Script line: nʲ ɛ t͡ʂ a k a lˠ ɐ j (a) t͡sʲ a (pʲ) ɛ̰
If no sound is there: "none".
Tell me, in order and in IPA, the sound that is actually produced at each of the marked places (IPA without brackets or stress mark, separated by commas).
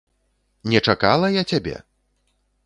a, bʲ